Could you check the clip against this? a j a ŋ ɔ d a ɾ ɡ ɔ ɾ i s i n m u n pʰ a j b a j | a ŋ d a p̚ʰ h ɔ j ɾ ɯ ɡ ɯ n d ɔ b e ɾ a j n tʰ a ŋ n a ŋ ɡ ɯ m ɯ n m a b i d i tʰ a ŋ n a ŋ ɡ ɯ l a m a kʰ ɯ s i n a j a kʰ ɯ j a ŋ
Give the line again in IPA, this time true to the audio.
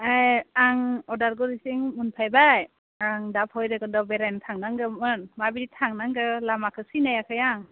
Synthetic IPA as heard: a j a ŋ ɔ d a ɾ ɡ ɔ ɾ i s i ŋ m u n pʰ a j b a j | a ŋ d a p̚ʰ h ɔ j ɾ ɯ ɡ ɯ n d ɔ b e ɾ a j n tʰ a ŋ n a ŋ ɡ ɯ m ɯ n m a b i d i tʰ a ŋ n a ŋ ɡ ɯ l a m a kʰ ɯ s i n a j a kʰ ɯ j a ŋ

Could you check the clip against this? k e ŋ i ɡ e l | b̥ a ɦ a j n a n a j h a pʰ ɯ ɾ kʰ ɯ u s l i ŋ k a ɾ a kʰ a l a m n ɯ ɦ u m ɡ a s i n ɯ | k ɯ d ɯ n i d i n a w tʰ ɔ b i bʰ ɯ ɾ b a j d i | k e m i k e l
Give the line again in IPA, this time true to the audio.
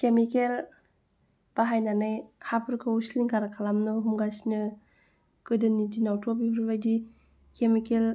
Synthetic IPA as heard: k e m i k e l | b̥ a ɦ a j n a n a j h a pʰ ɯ ɾ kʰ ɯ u s l i ŋ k a ɾ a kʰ a l a m n ɯ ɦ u m ɡ a s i n ɯ | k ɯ d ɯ n i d i n a w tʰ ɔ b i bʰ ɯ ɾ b a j d i | k e m i k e l

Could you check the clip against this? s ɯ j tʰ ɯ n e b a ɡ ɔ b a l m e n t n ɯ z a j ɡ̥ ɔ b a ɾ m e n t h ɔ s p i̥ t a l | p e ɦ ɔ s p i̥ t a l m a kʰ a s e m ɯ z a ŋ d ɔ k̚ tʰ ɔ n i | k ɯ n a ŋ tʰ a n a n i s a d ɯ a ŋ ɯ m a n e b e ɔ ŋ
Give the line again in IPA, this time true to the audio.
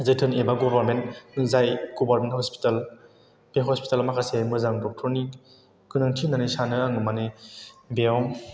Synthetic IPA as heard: z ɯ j tʰ ɯ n e b a ɡ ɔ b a ɾ m e n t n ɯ z a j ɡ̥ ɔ b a ɾ m e n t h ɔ s p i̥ t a l | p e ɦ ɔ s p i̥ t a l m a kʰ a s e m ɯ z a ŋ d ɔ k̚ tʰ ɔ n i | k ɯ n a ŋ tʰ i n a n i s a n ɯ a ŋ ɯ m a n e b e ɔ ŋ

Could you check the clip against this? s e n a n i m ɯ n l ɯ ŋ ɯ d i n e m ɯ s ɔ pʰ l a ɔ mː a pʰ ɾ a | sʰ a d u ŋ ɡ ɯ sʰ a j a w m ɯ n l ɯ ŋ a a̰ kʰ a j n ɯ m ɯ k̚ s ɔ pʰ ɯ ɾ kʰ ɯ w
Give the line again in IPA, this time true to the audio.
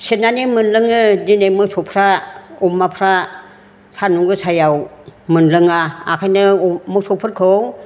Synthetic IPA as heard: s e n a n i m ɯ n l ɯ ŋ ɯ d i n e m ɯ s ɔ pʰ ɾ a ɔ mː a pʰ ɾ a | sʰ a n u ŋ ɡ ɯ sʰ a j a w m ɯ n l ɯ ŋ a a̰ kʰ a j n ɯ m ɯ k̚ s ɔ pʰ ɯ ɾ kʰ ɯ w

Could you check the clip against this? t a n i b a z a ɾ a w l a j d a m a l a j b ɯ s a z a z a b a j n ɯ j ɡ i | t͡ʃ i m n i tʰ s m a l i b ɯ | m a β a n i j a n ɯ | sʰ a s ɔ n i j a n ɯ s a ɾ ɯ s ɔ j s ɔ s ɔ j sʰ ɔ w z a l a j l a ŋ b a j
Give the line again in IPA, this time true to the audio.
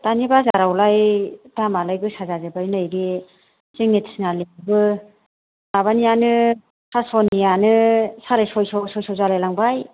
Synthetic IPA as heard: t a n i b a z a ɾ a w l a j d a m a l a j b ɯ s a z a z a b a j n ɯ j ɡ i | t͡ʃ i ŋ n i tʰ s n a l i b ɯ | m a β a n i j a n ɯ | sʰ a s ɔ n i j a n ɯ s a ɾ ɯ s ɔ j s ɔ s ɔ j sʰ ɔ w z a l a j l a ŋ b a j

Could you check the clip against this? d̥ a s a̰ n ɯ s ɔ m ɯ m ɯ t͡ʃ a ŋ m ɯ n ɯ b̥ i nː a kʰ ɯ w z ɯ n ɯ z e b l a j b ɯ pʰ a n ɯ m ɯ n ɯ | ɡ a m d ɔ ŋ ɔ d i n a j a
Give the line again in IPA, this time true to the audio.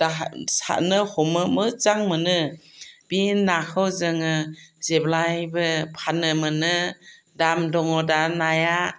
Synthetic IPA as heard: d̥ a s a̰ n ɯ h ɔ m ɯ m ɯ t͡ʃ a ŋ m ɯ n ɯ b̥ i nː a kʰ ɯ w z ɯ ŋ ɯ z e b l a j b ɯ pʰ a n ɯ m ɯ n ɯ | d a m d ɔ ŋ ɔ d a n a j a

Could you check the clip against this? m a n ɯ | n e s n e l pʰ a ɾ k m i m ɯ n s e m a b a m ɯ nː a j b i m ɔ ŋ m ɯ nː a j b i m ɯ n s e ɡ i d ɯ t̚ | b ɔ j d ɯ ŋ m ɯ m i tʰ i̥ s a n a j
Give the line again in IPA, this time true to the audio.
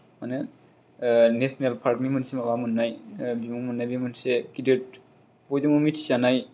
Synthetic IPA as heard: m a n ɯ | n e s n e l pʰ a ɾ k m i m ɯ n s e m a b a m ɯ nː a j b i m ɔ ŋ m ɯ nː a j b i m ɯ n s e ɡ i d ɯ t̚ | b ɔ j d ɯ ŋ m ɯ m i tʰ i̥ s a n a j

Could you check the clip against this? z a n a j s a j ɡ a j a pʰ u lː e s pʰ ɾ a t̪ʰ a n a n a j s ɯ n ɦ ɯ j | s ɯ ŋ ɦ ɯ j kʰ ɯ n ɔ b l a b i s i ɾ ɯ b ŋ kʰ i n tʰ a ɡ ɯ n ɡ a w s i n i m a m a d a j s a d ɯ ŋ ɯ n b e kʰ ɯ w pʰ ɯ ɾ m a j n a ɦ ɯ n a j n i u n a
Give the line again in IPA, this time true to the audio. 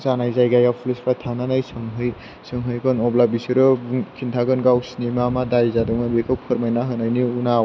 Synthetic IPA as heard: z a n a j z a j ɡ a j a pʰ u l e s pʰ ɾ a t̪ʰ a n a n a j s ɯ ŋ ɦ ɯ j | s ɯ ŋ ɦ ɯ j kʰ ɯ n ɔ b l a b i s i ɾ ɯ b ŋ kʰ i n tʰ a ɡ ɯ n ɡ a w s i n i m a m a d a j z a d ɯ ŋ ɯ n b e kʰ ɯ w pʰ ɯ ɾ m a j n a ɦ ɯ n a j n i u n a

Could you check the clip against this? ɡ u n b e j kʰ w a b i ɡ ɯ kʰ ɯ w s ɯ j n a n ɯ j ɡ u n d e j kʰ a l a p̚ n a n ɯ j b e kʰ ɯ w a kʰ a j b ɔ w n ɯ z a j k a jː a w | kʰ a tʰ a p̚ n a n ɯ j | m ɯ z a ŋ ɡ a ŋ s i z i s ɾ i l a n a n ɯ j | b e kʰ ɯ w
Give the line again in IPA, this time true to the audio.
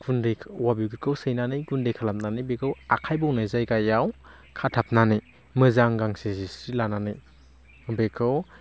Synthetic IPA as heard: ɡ u n d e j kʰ w a b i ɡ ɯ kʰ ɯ w s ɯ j n a n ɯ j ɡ u n d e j kʰ a l a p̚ n a n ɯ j b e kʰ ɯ w a kʰ a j b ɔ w n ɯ z a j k a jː a w | kʰ a tʰ a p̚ n a n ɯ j | m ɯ z a ŋ ɡ a ŋ s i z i s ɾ i l a n a n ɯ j | b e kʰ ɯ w

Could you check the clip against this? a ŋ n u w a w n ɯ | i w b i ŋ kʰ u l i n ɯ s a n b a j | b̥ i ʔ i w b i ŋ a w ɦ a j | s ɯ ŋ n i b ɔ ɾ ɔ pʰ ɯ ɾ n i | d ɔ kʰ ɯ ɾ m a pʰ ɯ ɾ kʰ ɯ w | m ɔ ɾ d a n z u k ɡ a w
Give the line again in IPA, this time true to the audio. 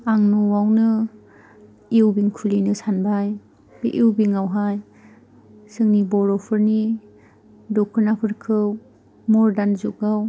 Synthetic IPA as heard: a ŋ n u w a w n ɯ | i w b i ŋ kʰ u l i n ɯ s a n b a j | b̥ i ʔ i w b i ŋ a w ɦ a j | s ɯ ŋ n i b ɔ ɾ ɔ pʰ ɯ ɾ n i | d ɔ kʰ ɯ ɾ n a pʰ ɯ ɾ kʰ ɯ w | m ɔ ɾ d a n z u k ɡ a w

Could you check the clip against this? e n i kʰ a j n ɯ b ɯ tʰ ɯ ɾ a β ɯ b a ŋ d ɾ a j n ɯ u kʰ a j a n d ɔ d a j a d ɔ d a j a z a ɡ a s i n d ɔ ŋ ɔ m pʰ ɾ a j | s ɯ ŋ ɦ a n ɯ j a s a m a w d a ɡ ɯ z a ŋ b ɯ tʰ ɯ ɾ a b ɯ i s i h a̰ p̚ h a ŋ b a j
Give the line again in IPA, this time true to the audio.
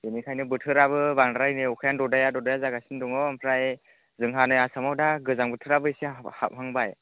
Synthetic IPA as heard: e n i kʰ a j n ɯ b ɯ tʰ ɯ ɾ a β ɯ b a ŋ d ɾ a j n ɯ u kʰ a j a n d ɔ d a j a d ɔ d a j a z a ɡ a s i n d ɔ ŋ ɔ m pʰ ɾ a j | z ɯ ŋ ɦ a n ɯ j a s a m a w d a ɡ ɯ z a ŋ b ɯ tʰ ɯ ɾ a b ɯ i s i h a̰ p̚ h a ŋ b a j

